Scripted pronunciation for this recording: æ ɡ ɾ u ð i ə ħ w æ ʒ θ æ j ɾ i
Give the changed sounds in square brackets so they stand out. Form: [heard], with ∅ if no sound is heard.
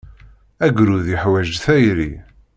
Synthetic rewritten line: æ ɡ ɾ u ð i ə ħ w æ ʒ θ æ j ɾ i